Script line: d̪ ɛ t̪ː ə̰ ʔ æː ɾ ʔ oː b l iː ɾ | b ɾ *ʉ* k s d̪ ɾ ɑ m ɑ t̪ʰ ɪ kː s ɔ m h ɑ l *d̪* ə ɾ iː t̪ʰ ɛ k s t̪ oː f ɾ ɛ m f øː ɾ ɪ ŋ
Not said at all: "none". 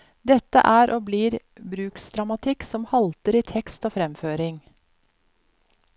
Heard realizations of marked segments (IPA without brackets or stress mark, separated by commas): ʉː, t̪